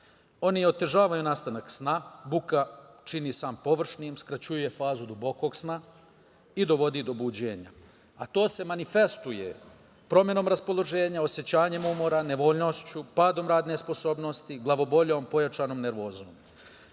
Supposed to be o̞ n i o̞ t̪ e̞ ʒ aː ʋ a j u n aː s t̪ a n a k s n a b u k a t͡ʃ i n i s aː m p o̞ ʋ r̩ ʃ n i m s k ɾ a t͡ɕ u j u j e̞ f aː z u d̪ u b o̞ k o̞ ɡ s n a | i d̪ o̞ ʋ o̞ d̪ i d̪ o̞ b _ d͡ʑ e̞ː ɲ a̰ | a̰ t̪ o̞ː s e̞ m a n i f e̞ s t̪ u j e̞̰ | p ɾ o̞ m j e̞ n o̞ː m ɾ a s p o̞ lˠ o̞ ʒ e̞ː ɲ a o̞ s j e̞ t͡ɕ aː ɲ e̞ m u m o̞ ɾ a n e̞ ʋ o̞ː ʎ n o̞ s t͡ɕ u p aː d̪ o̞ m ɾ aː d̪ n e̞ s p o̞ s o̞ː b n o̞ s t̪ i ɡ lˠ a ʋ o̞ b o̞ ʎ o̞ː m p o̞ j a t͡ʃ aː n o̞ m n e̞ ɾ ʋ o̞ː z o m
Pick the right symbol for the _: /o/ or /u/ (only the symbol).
u